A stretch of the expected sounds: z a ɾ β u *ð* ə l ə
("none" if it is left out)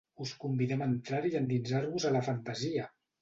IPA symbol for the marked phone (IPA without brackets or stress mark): z